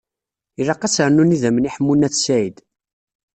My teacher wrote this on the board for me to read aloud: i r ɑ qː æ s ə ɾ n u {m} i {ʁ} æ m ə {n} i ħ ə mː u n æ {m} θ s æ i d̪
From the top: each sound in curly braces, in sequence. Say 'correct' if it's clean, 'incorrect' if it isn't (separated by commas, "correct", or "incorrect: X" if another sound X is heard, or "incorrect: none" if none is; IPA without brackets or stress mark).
incorrect: n, incorrect: ð, correct, incorrect: none